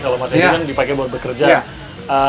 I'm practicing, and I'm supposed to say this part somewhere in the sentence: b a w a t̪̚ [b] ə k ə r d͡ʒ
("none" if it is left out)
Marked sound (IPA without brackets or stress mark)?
b